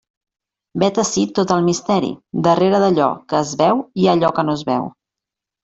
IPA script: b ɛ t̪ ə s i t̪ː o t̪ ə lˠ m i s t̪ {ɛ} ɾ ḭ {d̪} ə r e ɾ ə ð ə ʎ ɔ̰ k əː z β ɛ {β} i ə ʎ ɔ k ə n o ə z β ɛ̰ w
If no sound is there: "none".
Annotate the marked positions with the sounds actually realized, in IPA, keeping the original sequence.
ɛ, d̪, w

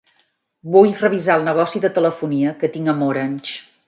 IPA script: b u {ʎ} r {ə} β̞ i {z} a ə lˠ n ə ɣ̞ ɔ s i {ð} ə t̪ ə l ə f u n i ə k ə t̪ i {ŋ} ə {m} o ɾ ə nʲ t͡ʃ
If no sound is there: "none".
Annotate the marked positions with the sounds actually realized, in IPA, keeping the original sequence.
j, ə, z, ð, ŋ, m

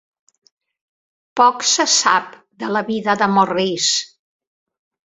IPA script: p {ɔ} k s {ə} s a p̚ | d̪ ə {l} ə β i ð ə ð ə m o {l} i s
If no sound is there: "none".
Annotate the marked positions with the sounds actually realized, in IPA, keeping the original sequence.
ɔ, ə, l, r

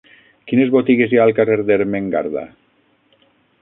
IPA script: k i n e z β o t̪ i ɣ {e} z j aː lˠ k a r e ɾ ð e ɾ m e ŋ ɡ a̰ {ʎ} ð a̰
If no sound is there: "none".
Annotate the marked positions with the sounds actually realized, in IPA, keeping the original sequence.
e, ɾ

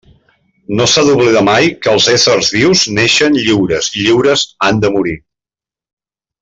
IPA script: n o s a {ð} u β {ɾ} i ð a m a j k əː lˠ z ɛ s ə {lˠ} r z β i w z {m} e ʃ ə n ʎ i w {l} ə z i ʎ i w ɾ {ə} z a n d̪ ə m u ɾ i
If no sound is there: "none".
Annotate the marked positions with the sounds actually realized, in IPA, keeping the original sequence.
ð, l, none, n, ɾ, ə

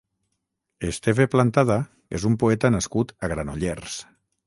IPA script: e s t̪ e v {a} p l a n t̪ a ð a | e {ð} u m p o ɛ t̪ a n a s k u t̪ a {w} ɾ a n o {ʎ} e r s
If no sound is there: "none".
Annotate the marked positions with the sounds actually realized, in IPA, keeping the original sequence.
e, z, ɣ, ʎ

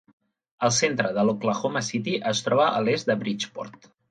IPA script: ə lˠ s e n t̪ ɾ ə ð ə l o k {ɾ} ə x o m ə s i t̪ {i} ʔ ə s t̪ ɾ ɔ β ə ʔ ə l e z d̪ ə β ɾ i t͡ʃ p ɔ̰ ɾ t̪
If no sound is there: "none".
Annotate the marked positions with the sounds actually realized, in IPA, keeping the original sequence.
l, i

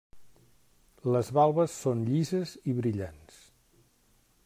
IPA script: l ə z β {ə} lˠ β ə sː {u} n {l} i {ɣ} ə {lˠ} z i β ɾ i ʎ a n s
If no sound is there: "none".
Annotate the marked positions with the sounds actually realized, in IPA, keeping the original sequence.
a, o, ʎ, z, none

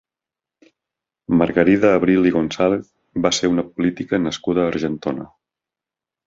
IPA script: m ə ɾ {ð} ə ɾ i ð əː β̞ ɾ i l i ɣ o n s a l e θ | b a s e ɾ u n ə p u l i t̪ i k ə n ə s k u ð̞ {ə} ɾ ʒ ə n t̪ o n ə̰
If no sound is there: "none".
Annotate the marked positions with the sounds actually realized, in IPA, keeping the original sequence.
ɣ, əː

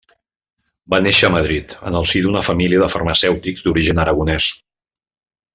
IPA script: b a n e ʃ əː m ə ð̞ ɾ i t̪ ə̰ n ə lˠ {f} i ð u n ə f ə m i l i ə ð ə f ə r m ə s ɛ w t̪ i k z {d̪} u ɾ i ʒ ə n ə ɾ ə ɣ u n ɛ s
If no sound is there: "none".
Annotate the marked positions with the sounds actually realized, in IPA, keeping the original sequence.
s, d̪

